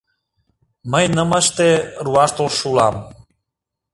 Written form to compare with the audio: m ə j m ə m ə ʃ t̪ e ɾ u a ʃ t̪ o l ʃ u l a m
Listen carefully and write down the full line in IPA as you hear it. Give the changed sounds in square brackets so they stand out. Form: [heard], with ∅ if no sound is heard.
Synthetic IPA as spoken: m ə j [n] ə m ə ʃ t̪ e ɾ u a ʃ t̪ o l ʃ u l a m